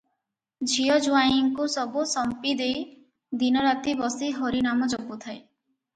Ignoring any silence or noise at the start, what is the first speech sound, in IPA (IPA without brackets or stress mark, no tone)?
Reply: d͡ʒʱ